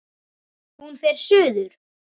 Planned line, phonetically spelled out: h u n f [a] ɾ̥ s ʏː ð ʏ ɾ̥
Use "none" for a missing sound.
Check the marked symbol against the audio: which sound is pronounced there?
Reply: ɛ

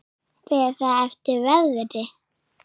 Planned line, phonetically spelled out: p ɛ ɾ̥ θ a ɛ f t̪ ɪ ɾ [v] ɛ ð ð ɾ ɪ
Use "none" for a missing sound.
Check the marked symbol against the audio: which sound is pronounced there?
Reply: v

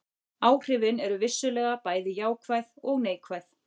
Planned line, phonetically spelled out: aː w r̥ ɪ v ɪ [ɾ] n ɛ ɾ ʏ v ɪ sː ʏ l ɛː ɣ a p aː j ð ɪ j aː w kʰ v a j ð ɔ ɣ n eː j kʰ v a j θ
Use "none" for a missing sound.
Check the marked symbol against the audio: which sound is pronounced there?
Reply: none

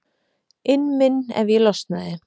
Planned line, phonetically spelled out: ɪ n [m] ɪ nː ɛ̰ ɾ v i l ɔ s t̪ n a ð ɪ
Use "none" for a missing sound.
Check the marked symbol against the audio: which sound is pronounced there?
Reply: m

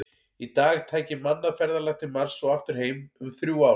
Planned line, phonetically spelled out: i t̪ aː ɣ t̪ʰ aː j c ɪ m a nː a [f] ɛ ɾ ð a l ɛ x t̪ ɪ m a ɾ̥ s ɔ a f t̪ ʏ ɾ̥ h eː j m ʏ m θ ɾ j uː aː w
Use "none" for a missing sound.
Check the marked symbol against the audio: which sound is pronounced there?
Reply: f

